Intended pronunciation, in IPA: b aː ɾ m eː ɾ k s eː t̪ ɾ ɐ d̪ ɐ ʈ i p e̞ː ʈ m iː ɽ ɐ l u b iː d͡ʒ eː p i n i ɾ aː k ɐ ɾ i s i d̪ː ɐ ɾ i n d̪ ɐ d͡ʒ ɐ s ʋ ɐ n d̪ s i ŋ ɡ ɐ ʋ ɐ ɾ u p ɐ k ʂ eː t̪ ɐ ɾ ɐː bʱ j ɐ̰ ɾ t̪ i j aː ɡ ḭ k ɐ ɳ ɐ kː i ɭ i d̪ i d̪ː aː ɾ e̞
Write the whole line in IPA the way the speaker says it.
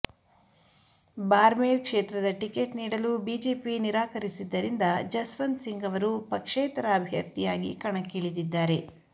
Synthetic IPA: b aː ɾ m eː ɾ k ʂ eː t̪ ɾ ɐ d̪ ɐ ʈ i k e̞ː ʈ n iː ɽ ɐ l u b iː d͡ʒ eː p i n i ɾ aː k ɐ ɾ i s i d̪ː ɐ ɾ i n d̪ ɐ d͡ʒ ɐ s ʋ ɐ n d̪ s i ŋ ɡ ɐ ʋ ɐ ɾ u p ɐ k ʂ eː t̪ ɐ ɾ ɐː bʱ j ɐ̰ ɾ t̪ i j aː ɡ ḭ k ɐ ɳ ɐ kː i ɭ i d̪ i d̪ː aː ɾ e̞